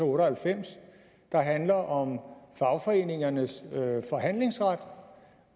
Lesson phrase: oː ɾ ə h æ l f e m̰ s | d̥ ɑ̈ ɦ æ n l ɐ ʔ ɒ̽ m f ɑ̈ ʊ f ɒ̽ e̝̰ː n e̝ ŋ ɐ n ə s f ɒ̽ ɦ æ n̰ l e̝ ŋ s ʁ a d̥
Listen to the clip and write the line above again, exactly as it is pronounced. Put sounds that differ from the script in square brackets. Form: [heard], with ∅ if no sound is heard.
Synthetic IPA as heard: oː ɾ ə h æ l f e m̰ s | d̥ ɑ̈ ɦ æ n l ɐ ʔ ɒ̽ m f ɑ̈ ʊ f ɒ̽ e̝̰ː n e̝ ŋ ɐ n ə s f ɒ̽ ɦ æ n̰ l e̝ ŋ s ʁ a d̥